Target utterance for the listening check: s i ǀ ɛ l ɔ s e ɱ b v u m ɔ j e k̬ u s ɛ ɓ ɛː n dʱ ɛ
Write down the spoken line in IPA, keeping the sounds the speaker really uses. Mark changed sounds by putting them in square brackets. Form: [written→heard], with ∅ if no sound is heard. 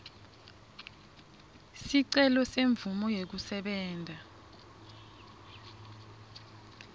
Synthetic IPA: s i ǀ ɛ l ɔ s e ɱ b v u m ɔ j e k̬ u s ɛ ɓ ɛː n dʱ [ɛ→a]